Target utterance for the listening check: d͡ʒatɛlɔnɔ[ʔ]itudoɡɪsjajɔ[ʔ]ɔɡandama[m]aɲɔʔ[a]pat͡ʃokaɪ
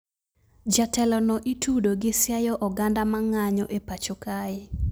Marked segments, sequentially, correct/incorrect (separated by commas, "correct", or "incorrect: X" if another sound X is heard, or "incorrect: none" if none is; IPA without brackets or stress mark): correct, correct, incorrect: ŋ, incorrect: e